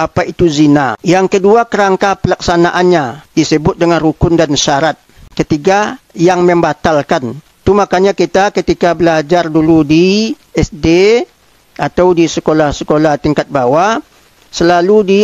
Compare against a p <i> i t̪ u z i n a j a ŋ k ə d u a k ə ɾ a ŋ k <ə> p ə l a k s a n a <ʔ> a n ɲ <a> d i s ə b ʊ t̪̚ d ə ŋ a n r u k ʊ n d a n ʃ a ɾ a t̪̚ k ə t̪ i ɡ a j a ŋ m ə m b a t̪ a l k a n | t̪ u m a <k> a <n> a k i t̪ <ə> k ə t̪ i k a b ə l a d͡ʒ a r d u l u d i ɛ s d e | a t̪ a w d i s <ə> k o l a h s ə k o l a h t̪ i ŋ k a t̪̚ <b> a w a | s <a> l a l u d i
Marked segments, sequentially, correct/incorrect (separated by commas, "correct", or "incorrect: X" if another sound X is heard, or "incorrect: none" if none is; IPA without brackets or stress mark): incorrect: a, incorrect: a, correct, correct, correct, incorrect: ɲ, incorrect: a, correct, correct, incorrect: ə